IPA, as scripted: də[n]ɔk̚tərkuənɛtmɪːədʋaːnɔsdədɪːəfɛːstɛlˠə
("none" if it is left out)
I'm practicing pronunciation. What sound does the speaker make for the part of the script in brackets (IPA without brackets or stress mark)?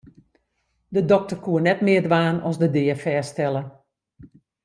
d